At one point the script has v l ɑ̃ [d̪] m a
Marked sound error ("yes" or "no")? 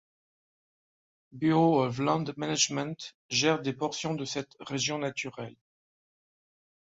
no